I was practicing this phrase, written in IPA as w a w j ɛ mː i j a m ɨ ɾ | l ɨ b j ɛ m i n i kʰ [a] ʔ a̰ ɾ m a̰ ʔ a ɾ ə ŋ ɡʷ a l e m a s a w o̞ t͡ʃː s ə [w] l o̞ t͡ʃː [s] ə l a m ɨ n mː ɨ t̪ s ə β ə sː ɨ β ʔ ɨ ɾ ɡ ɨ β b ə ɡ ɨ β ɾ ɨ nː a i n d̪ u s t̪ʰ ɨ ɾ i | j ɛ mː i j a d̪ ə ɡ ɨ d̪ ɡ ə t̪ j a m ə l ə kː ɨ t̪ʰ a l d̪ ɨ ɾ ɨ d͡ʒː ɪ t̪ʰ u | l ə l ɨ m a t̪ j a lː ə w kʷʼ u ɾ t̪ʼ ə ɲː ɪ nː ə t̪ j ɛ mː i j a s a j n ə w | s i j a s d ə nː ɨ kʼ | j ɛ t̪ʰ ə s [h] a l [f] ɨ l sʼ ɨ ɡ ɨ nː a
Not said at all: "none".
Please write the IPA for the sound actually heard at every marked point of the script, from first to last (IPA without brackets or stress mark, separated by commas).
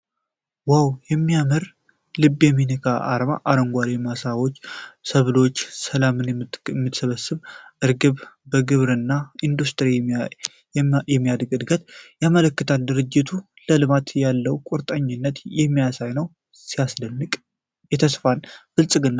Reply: a, β, s, f, f